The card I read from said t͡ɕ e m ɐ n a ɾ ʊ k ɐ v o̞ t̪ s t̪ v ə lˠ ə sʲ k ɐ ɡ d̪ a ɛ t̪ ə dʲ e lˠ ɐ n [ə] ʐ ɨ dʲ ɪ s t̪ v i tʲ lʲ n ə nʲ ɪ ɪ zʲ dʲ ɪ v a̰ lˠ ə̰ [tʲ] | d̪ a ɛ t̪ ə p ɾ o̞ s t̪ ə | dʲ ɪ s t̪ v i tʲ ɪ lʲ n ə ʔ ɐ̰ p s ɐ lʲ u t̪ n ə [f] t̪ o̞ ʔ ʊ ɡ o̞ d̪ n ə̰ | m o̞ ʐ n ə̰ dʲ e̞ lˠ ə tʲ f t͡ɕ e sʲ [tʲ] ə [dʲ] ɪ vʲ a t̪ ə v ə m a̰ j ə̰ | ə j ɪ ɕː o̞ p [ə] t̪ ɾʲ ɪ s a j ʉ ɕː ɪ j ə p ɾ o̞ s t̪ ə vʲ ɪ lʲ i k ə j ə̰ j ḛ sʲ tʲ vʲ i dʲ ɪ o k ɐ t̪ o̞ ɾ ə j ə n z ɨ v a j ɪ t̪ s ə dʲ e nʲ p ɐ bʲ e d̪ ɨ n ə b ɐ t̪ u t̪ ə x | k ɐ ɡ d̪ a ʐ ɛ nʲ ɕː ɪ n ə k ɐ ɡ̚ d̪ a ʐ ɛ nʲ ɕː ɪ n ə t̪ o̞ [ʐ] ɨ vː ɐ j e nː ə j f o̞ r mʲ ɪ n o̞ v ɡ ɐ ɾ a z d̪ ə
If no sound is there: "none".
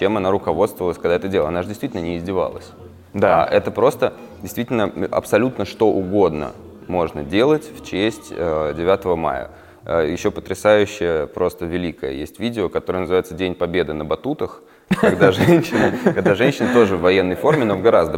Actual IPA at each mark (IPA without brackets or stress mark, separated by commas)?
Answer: a, sʲ, ʂ, tʲ, dʲ, ə, ʐ